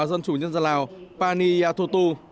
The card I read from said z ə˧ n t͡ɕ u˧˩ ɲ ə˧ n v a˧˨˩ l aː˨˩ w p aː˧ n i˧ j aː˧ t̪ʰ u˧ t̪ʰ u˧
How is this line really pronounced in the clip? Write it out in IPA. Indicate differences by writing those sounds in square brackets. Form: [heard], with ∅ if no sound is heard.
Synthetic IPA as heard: z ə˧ n t͡ɕ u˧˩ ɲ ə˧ n [z] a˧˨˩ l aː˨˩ w p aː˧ n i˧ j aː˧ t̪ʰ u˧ [t̪] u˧